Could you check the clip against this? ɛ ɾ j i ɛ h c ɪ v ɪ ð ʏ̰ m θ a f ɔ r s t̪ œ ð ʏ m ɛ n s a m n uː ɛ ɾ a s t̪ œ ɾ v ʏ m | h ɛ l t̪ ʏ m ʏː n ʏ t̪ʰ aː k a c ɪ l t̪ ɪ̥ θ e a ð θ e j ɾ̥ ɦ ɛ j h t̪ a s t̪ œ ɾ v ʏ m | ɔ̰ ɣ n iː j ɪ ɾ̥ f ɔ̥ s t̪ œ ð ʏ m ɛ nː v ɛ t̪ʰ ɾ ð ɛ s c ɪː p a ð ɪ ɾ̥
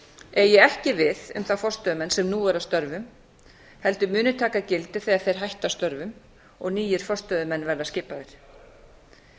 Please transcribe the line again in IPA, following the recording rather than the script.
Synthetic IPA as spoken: ɛ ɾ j ɛ ɛ h c ɪ v ɪ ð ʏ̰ m θ a f ɔ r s t̪ œ ð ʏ m ɛ n s ɛ m n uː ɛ ɾ a s t̪ œ ɾ v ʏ m | h ɛ l t̪ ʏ m ʏː n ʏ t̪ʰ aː k a c ɪ l t̪ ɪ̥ θ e a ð θ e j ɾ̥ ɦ a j h t̪ a s t̪ œ ɾ v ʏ m | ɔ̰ ɣ n iː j ɪ ɾ̥ f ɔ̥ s t̪ œ ð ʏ m ɛ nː v ɛ ɾ ð a s c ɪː p a ð ɪ ɾ̥